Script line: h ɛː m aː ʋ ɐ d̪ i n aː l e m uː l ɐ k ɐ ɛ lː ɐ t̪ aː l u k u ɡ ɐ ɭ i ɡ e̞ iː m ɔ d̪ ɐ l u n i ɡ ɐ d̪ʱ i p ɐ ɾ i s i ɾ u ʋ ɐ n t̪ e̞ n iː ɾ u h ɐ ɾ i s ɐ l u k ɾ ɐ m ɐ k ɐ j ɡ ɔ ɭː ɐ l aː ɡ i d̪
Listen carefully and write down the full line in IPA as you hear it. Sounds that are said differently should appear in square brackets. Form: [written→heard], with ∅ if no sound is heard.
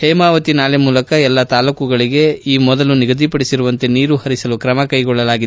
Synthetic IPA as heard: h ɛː m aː ʋ ɐ [d̪→t̪] i n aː l e m uː l ɐ k ɐ ɛ lː ɐ t̪ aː l u k u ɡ ɐ ɭ i ɡ e̞ iː m ɔ d̪ ɐ l u n i ɡ ɐ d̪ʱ i p ɐ [ɾ→ɽ] i s i ɾ u ʋ ɐ n t̪ e̞ n iː ɾ u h ɐ ɾ i s ɐ l u k ɾ ɐ m ɐ k ɐ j ɡ ɔ ɭː ɐ l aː ɡ i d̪